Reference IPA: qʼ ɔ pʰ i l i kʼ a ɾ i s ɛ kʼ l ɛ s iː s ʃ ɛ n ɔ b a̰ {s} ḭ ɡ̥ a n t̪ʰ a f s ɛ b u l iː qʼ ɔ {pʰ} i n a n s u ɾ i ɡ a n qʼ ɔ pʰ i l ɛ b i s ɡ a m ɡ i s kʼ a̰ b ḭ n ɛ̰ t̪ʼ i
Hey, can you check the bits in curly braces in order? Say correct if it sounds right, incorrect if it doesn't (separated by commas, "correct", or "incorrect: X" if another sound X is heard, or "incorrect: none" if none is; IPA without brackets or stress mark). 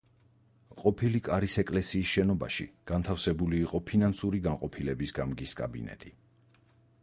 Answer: incorrect: ʃ, correct